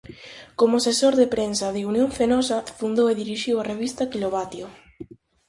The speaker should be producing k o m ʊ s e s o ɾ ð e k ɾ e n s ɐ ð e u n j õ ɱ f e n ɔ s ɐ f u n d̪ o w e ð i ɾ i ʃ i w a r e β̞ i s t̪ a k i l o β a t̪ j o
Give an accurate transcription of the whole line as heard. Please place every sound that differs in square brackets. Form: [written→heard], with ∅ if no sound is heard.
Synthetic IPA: k o m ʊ s e s o ɾ ð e [k→p] ɾ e n s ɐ ð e u n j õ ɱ f e n ɔ s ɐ f u n d̪ o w e ð i ɾ i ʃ i w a r e β̞ i s t̪ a k i l o β a t̪ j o